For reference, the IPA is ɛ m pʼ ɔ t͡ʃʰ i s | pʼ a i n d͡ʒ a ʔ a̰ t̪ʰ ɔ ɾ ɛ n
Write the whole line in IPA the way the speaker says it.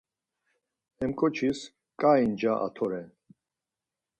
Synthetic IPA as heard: ɛ m kʼ ɔ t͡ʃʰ i s | kʼ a i n d͡ʒ a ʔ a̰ t̪ʰ ɔ ɾ ɛ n